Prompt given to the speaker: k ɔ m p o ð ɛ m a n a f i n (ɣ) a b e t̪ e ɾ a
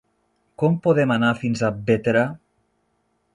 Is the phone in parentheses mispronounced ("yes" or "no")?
yes